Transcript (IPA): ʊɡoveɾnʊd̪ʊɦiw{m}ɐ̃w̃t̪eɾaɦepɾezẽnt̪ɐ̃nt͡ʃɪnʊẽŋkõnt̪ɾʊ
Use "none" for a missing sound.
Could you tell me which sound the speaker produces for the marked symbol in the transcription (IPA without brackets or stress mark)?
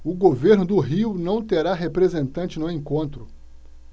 n